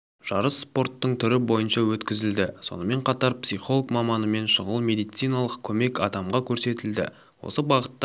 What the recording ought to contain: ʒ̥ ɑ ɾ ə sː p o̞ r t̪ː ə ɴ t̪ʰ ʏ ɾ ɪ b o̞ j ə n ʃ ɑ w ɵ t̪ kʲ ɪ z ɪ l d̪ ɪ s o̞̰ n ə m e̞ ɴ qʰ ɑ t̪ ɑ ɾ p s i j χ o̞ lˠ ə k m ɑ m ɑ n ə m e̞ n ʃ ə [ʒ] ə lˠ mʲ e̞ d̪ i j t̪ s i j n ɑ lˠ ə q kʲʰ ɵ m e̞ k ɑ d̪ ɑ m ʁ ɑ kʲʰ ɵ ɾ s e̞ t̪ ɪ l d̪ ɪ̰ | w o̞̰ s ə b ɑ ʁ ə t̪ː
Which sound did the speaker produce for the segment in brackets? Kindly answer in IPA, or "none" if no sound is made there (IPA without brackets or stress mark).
ʁ